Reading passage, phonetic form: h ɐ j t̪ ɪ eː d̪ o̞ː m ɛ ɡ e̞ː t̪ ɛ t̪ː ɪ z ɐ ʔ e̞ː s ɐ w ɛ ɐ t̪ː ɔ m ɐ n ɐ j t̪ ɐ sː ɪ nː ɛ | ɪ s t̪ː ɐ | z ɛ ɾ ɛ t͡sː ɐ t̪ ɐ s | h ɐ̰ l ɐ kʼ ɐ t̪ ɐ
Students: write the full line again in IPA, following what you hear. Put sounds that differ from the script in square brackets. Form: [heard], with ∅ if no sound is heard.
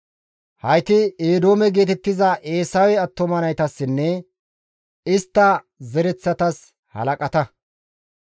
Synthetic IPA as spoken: h ɐ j t̪ ɪ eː d̪ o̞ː m ɛ ɡ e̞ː t̪ ɛ t̪ː ɪ z ɐ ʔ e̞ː s ɐ w ɛ ɐ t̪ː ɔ m ɐ n ɐ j t̪ ɐ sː ɪ nː ɛ | ɪ s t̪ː ɐ | z ɛ ɾ ɛ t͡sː ɐ t̪ ɐ s | h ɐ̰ l ɐ kʼ ɐ t̪ ɐ